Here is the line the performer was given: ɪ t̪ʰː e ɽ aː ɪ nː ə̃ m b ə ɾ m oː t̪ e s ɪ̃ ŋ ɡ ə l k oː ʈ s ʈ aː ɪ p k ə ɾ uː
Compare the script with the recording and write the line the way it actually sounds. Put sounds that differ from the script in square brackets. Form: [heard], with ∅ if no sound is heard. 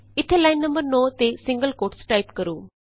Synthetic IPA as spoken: ɪ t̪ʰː e [l] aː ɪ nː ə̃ m b ə ɾ [n] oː t̪ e s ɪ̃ ŋ ɡ ə l k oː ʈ s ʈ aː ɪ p k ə ɾ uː